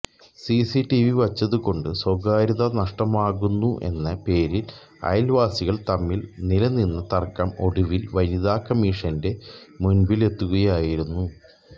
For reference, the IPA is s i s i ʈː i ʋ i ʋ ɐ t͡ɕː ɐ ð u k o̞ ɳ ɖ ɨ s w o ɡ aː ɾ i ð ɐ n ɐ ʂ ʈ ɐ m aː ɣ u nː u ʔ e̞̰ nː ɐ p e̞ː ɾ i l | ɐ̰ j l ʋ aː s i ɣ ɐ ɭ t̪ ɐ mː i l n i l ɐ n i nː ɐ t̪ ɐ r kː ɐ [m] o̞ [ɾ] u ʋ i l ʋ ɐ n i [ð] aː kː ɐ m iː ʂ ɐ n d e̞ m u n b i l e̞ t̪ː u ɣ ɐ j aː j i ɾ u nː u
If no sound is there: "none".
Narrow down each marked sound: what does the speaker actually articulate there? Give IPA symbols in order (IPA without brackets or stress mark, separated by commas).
m, ɽ, ð